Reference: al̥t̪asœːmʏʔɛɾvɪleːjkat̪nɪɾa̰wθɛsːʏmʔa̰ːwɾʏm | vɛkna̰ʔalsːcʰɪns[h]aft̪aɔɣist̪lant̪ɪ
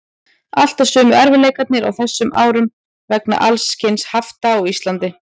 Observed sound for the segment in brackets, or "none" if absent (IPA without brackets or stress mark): h